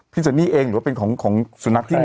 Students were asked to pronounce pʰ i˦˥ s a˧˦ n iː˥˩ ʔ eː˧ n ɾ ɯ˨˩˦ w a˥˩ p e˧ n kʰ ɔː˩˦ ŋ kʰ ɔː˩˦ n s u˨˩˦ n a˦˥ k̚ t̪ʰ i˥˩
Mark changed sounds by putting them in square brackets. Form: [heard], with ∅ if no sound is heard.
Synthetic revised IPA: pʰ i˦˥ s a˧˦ n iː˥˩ ʔ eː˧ [ŋ] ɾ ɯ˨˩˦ w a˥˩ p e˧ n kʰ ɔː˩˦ ŋ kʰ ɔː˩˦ [ŋ] s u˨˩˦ n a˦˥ k̚ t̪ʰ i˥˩